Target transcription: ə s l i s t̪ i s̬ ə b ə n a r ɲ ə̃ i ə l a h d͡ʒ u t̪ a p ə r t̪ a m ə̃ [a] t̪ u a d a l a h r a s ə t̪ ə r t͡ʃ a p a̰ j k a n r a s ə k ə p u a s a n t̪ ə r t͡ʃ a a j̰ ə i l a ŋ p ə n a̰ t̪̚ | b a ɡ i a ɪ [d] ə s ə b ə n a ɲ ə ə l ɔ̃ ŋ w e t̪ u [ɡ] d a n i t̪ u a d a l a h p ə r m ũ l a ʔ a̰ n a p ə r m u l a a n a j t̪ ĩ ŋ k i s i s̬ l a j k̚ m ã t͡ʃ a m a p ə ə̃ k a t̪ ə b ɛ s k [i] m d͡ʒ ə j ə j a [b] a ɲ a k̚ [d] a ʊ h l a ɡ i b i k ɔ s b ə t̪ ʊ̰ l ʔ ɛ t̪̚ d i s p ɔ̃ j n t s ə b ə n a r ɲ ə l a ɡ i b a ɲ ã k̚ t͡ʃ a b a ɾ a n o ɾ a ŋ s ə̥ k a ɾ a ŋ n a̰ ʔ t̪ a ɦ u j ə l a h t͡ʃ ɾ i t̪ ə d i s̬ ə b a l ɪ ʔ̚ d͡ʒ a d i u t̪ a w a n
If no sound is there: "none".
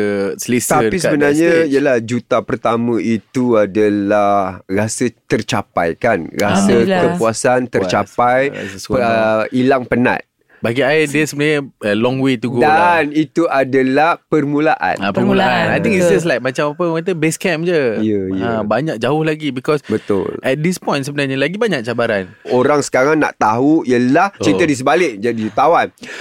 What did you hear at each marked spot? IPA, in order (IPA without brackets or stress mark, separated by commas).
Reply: i, d, ɡ, ɛ, b, d͡ʒ